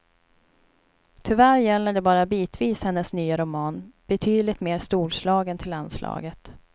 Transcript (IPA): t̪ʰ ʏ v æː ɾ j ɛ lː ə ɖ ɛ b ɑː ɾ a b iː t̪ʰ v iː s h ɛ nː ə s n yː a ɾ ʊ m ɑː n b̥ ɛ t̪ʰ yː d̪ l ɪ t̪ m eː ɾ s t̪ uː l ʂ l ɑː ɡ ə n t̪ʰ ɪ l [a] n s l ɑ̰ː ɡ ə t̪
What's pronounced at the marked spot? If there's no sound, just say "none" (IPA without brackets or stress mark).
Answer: a